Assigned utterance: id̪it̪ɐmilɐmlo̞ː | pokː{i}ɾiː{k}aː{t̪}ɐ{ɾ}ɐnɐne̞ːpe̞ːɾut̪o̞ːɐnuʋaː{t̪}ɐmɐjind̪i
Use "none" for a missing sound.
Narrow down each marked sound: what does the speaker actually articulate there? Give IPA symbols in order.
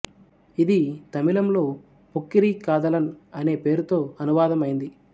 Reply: i, k, d̪, l, d̪

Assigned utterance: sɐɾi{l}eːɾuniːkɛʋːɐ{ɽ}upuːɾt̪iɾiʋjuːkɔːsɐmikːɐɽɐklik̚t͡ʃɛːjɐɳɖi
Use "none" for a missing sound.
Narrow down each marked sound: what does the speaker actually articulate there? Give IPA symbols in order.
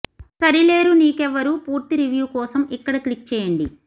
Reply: l, ɾ

